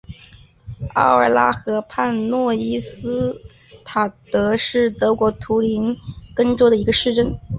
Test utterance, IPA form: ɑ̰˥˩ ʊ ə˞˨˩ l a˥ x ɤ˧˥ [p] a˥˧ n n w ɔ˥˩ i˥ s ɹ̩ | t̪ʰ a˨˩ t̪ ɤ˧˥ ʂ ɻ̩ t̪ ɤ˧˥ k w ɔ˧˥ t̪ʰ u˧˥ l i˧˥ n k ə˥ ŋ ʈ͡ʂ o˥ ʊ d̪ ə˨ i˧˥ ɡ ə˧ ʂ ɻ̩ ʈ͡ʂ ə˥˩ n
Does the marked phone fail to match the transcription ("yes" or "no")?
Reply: yes